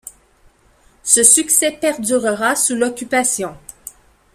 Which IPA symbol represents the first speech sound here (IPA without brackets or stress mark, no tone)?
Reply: s